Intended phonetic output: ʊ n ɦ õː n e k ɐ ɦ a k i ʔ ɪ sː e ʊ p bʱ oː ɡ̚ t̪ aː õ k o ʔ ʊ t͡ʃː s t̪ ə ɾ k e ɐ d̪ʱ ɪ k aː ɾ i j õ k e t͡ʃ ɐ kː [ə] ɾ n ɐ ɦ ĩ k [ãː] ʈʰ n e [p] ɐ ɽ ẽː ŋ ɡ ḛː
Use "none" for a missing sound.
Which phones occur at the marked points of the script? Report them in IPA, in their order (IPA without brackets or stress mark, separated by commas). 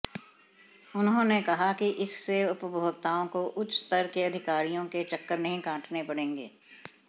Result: ə, ãː, p